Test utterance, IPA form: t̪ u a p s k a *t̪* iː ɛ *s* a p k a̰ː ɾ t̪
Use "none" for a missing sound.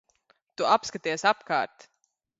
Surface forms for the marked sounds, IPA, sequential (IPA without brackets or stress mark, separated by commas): t̪, s